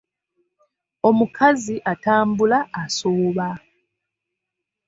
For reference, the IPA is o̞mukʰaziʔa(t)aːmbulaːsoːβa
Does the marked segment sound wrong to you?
no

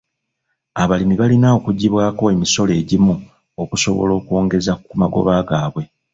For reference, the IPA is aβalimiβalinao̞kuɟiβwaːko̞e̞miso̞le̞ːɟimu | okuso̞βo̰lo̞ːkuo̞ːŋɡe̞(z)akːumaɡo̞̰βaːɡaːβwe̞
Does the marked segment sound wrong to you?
no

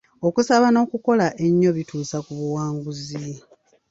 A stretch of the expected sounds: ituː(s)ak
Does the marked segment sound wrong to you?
no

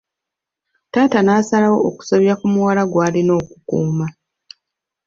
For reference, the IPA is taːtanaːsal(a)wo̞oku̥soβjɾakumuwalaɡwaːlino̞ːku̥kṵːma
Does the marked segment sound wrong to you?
no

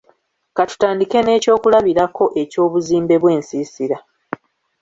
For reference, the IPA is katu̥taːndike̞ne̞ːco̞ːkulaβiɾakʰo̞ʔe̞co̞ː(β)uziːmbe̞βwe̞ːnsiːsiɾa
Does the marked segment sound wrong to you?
no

